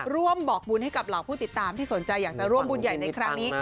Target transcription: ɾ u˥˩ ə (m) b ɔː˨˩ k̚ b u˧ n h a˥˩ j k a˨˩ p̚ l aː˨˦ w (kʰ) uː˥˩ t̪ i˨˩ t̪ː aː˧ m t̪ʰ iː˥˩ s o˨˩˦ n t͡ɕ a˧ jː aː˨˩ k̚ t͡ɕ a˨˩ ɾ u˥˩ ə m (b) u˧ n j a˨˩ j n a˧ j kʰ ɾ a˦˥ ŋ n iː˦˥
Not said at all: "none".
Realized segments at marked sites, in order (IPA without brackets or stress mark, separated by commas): m, pʰ, b